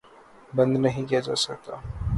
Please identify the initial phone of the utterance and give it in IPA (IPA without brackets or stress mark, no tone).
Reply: b